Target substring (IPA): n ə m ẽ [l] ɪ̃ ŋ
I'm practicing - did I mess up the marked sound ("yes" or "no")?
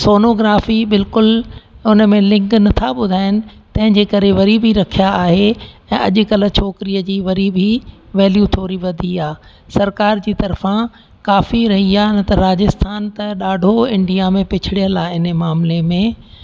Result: no